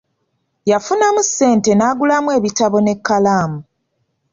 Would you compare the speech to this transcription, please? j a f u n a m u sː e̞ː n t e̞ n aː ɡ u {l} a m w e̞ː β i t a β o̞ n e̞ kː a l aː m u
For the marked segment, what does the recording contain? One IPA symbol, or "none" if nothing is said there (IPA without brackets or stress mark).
l